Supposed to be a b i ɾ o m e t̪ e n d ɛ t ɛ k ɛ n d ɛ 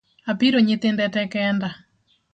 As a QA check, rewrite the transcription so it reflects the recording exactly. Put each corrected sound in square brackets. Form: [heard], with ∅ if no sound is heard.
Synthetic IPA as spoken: a [p] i ɾ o [ɲ] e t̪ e n d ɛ t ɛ k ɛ n d [a]